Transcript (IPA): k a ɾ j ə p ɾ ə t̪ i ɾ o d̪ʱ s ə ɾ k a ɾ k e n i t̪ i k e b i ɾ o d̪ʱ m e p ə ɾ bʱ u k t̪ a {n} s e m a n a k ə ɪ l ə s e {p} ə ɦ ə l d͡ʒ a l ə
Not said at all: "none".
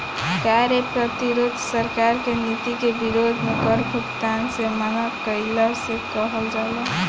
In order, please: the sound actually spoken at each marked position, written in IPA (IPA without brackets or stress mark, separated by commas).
n, k